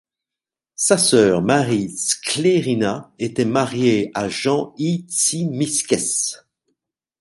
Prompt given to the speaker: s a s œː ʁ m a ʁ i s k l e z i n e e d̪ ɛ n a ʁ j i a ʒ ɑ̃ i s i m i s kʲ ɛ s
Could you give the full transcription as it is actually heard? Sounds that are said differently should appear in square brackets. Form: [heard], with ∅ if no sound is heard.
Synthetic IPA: s a s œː ʁ m a ʁ i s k l e [ʁ] i n [a] e [t̪] ɛ [m] a ʁ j [e] a ʒ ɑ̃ i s i m i s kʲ ɛ s